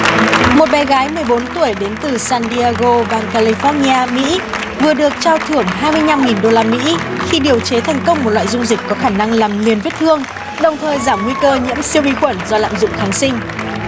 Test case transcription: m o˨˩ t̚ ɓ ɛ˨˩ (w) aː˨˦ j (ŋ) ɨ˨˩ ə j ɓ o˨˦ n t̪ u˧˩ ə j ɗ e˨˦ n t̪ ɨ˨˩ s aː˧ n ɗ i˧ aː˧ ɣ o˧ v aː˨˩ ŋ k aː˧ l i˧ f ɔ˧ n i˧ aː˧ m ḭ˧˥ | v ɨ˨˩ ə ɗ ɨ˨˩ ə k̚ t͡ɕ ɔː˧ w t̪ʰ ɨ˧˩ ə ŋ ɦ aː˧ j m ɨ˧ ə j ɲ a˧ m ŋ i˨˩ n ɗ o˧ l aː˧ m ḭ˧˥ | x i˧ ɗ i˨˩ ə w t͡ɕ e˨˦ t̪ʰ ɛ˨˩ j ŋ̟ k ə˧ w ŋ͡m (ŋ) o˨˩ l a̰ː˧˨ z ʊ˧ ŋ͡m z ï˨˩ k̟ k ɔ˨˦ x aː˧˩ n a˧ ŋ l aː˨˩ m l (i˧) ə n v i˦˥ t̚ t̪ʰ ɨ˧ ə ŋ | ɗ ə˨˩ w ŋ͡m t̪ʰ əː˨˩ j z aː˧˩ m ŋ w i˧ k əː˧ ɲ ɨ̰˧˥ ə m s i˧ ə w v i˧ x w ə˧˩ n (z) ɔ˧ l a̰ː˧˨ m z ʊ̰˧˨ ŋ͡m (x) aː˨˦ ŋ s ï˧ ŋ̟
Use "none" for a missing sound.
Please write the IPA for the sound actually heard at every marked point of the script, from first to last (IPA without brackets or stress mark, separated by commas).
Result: ɣ, m, m, i˨˩, z, x